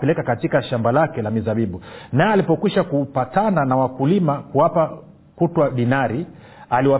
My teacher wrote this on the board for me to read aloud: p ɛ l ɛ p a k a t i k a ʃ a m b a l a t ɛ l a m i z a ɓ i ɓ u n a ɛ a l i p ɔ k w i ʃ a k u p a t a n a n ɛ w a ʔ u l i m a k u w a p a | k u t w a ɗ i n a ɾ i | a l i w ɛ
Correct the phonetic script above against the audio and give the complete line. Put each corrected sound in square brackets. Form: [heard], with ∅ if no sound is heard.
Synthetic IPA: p ɛ l ɛ [k] a k a t i k a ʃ a m b a l a [k] ɛ l a m i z a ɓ i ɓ u n a ɛ a l i p ɔ k w i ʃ a k u p a t a n a n [a] w a [k] u l i m a k u w a p a | k u t w a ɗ i n a ɾ i | a l i w [a]